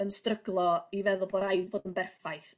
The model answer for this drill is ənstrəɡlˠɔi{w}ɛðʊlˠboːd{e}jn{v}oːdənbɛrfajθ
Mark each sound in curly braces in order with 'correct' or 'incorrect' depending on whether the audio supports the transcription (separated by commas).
incorrect, incorrect, correct